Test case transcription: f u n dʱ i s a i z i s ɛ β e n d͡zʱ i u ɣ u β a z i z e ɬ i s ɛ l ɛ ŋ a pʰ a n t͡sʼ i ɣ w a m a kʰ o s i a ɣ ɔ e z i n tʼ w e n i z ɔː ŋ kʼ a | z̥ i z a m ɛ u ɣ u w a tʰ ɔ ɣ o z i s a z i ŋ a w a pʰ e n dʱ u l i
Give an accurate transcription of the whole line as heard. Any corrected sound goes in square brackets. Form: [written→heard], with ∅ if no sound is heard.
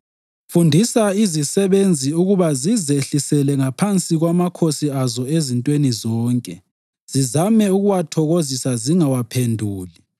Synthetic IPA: f u n dʱ i s a i z i s ɛ β e n d͡zʱ i u ɣ u β a z i z e ɬ i s ɛ l ɛ ŋ a pʰ a n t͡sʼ i ɣ w a m a kʰ o s i a [ɣ→z] ɔ e z i n tʼ w e n i z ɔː ŋ kʼ [a→ɛ] | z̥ i z a m ɛ u ɣ u w a tʰ ɔ ɣ o z i s a z i ŋ a w a pʰ e n dʱ [u→uː] l i